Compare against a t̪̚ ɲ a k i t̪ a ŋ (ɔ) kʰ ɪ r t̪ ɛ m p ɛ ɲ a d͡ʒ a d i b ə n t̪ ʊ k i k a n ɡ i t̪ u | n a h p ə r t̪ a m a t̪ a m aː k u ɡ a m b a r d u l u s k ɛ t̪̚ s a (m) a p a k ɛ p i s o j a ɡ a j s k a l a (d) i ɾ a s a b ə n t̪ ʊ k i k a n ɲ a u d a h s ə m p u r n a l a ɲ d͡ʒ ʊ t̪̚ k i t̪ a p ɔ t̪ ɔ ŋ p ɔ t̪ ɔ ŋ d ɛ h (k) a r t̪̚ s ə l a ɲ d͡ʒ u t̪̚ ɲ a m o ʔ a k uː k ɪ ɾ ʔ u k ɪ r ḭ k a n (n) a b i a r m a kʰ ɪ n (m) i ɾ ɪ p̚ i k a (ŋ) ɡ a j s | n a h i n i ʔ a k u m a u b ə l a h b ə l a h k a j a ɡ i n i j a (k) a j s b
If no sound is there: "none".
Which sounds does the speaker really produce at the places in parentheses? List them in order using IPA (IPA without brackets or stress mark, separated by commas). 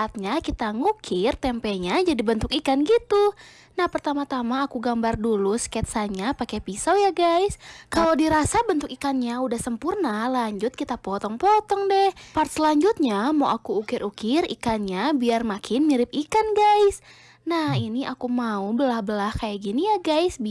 u, ɲ, d, p, ɲ, m, n, ɡ